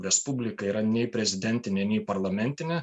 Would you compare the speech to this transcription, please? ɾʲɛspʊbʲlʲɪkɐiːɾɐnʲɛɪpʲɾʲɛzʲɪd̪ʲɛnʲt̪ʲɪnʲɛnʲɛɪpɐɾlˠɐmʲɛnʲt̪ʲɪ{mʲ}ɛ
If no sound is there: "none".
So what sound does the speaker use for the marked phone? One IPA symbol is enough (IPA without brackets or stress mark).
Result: nʲ